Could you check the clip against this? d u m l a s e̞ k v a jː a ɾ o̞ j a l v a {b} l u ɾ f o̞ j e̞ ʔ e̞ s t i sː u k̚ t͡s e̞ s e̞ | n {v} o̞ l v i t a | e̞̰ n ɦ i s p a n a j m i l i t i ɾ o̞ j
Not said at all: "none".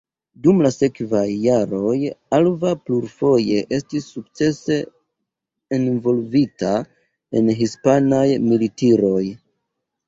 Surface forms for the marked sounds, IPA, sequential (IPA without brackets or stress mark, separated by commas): p, v